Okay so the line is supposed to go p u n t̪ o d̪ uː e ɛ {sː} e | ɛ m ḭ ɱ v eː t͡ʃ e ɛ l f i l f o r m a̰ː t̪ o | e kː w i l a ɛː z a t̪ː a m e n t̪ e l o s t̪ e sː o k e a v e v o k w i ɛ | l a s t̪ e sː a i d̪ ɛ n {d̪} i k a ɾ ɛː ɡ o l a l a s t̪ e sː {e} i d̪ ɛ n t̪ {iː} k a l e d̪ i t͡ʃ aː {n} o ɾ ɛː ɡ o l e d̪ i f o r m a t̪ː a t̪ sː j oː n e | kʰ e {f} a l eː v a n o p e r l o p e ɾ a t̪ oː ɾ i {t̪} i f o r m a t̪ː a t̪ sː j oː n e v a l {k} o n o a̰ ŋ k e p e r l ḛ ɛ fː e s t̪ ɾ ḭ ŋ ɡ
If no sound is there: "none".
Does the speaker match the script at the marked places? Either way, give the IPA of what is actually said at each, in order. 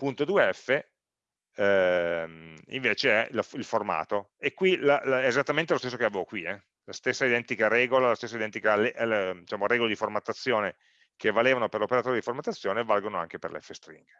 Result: fː, t̪, a, i, m, v, d̪, ɡ

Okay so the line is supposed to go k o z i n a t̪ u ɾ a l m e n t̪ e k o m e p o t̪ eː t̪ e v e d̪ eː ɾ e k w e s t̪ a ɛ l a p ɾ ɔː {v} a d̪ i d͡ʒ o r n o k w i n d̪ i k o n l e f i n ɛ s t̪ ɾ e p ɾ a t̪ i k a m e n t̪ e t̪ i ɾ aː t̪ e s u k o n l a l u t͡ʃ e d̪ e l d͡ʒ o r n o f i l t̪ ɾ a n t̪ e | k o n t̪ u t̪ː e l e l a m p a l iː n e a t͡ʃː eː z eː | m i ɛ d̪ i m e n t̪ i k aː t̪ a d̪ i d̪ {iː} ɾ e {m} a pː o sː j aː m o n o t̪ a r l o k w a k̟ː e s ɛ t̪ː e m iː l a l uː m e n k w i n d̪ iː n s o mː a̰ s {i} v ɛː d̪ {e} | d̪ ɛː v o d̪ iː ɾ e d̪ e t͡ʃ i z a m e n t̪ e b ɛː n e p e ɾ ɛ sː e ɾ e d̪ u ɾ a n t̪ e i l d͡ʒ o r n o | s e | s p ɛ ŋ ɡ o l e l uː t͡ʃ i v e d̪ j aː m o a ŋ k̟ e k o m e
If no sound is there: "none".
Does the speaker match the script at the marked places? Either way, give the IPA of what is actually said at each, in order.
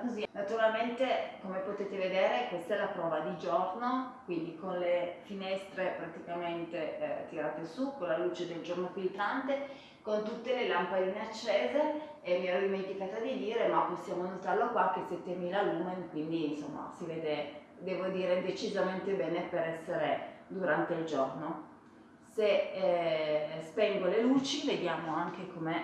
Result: v, iː, m, i, e

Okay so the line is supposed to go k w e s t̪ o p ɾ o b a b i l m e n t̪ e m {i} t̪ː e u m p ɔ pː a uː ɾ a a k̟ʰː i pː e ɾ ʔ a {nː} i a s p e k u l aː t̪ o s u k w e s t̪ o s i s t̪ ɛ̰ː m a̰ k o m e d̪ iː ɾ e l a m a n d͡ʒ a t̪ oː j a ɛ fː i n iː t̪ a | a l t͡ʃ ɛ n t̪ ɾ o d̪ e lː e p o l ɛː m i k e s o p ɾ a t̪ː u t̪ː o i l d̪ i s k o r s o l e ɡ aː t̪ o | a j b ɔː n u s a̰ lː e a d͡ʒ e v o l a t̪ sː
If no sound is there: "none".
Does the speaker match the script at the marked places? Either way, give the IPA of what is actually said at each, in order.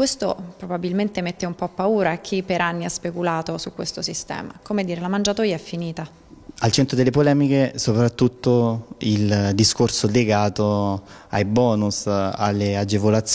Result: e, nː

